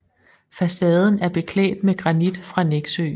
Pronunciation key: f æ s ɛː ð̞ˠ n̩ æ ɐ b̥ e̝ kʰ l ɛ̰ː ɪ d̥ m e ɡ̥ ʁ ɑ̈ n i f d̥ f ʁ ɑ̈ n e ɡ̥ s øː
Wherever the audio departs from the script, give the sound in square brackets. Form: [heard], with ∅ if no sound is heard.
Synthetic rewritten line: f æ s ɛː ð̞ˠ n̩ æ ɐ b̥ e̝ kʰ l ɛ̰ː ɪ d̥ m e ɡ̥ ʁ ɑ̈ n i [∅] d̥ f ʁ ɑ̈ n e ɡ̥ s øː